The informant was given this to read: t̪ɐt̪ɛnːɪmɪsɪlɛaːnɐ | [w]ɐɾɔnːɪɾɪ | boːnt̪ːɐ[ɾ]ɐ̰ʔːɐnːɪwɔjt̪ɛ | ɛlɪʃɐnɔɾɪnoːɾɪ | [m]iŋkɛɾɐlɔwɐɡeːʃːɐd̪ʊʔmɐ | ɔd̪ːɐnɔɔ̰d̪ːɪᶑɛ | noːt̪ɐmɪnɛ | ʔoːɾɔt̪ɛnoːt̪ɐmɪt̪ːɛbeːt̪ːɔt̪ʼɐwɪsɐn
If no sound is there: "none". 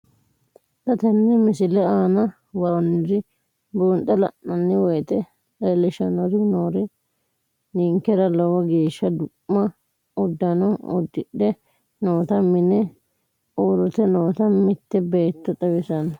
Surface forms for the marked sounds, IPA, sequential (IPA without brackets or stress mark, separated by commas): w, l, n